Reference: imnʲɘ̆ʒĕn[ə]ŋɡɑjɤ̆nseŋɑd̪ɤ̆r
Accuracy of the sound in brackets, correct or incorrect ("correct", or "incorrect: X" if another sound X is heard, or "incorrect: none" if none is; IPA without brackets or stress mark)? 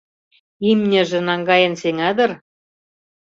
incorrect: ɑ